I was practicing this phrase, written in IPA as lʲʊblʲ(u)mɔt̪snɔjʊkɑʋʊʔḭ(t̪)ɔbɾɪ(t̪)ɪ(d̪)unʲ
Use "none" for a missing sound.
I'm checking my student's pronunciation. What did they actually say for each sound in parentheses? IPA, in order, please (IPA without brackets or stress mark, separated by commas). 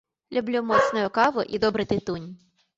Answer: u, d̪, t̪, t̪